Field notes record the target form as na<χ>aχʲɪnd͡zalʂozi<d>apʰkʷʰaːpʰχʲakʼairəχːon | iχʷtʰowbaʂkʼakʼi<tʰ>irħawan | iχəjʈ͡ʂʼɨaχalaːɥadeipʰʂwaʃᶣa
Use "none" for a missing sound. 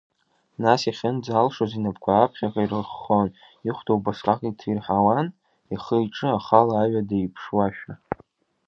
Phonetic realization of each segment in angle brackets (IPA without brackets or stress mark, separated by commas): s, n, tʰ